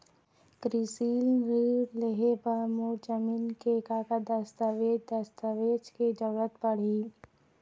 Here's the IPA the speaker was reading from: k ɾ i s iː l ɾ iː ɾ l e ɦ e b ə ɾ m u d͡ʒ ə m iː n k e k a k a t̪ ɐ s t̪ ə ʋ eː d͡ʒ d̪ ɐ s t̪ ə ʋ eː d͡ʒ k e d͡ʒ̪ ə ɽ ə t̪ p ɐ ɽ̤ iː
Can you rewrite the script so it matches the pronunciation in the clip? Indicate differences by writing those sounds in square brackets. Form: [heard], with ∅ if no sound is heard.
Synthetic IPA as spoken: k ɾ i s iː l ɾ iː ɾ l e ɦ e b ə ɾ m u d͡ʒ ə m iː n k e k a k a [d̪] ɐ s t̪ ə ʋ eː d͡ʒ d̪ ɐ s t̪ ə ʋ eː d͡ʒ k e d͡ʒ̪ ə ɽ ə t̪ p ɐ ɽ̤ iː